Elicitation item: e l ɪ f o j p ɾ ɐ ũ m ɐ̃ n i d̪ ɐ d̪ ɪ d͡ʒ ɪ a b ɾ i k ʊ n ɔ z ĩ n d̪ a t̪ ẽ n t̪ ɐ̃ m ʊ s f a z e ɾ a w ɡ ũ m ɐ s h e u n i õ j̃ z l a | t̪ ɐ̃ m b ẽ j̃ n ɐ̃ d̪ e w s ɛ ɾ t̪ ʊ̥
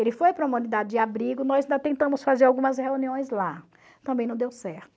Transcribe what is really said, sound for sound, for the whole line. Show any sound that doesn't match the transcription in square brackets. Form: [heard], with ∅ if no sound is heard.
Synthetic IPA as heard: e l ɪ f o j p ɾ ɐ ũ m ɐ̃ n i d̪ [a] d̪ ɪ d͡ʒ ɪ a b ɾ i [ɡ] ʊ n ɔ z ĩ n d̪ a t̪ ẽ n t̪ ɐ̃ m ʊ s f a z e ɾ a w ɡ ũ m ɐ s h e u n i õ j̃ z l a | t̪ ɐ̃ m b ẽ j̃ n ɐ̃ d̪ e w s ɛ ɾ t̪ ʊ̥